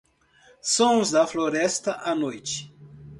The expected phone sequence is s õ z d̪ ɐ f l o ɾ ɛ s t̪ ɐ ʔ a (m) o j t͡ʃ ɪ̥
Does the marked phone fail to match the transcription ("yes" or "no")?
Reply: yes